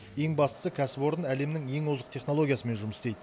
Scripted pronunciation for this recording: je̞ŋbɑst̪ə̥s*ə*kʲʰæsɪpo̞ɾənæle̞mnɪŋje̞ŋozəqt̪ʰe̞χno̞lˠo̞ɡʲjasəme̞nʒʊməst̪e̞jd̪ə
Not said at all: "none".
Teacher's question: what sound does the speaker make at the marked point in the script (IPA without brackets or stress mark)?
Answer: ə